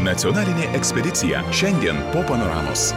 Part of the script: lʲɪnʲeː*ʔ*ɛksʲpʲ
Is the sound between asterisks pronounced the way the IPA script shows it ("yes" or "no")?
yes